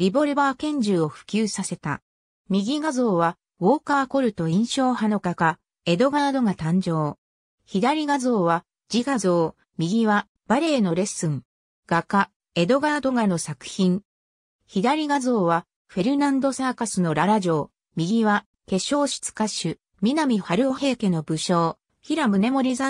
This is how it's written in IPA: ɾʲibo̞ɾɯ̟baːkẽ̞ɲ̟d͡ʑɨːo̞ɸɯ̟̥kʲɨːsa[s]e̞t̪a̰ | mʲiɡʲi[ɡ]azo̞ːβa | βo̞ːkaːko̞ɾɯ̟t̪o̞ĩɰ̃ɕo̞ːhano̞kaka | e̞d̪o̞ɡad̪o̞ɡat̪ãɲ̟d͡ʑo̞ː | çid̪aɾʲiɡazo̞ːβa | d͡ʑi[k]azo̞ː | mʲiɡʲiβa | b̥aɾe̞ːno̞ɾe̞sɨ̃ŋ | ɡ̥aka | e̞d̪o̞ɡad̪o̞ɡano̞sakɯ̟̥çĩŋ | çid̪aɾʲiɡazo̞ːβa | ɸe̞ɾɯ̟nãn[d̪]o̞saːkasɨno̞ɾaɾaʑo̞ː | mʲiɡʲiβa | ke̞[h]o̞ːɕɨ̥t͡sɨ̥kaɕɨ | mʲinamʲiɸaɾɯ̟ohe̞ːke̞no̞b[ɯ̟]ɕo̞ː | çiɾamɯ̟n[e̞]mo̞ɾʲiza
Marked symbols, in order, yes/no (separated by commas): yes, yes, no, yes, no, yes, yes